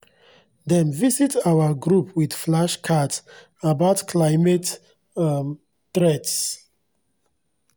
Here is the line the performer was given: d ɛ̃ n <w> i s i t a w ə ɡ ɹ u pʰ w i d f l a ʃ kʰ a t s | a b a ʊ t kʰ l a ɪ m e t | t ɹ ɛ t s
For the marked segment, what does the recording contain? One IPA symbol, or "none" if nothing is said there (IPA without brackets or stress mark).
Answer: v